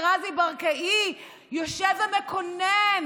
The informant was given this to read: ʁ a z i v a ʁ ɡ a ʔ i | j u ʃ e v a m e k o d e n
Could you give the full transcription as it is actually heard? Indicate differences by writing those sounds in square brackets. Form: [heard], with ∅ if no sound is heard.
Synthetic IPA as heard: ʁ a z i [b] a ʁ [k] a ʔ i | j [o] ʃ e v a m e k o [n] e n